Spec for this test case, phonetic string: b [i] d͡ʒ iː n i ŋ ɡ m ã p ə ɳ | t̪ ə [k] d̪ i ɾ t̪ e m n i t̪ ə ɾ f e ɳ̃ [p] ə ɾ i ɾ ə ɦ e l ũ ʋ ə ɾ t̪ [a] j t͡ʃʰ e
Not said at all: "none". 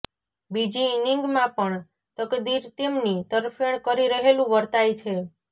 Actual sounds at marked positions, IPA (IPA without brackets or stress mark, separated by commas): i, k, k, a